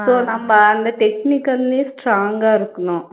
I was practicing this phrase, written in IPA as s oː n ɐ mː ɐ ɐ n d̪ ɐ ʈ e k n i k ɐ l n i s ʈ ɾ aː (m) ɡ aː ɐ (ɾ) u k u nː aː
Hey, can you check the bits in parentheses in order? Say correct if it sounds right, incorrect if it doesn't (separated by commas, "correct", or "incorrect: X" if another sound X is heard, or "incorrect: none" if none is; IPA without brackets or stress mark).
incorrect: ŋ, correct